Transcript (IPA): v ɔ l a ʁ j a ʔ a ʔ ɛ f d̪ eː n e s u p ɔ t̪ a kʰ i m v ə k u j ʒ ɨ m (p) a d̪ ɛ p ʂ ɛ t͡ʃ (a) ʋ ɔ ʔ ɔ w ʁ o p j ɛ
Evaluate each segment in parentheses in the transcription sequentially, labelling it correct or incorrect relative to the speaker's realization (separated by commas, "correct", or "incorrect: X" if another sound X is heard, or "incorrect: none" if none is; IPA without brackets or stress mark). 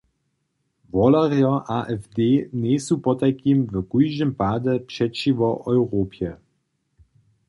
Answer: correct, incorrect: i